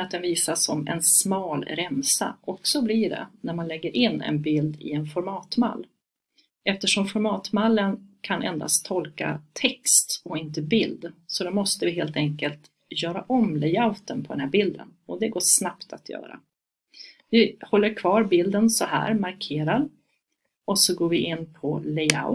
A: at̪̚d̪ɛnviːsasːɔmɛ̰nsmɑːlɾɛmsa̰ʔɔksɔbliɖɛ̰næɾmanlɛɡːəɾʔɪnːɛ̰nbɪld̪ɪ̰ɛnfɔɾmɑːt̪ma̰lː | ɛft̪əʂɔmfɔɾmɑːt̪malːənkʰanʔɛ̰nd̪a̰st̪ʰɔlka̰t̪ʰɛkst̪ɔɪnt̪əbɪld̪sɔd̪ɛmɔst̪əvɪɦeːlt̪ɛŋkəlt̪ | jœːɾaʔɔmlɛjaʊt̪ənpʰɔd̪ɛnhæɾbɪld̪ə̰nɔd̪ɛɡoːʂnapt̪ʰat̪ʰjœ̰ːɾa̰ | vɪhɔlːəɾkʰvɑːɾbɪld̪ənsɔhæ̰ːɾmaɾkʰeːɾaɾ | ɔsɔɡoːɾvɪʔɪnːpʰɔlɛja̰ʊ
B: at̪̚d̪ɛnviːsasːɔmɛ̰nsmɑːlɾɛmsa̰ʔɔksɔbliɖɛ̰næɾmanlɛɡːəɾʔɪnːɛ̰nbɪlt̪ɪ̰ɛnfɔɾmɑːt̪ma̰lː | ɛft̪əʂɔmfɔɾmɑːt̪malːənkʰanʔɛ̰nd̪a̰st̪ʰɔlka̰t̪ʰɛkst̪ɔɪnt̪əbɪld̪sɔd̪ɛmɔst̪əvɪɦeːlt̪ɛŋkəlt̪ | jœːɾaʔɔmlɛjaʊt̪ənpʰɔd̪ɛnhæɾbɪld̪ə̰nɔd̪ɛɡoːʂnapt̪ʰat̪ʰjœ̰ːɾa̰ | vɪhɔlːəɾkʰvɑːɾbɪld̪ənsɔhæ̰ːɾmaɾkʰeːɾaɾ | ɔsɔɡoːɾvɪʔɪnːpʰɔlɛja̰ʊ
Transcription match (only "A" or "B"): A